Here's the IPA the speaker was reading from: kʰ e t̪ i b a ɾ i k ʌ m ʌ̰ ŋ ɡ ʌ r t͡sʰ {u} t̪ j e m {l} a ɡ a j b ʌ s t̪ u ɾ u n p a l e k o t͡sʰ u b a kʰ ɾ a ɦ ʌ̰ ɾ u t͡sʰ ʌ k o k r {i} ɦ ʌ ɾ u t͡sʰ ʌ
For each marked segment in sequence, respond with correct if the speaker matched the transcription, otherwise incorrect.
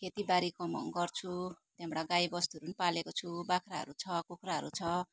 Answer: correct, incorrect: ɽ, incorrect: a

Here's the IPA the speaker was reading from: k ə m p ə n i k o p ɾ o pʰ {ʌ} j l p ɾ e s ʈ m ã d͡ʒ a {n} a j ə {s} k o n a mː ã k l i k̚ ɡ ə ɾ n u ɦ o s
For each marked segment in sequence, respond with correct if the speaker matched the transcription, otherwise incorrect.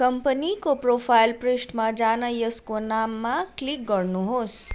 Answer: incorrect: a, correct, correct

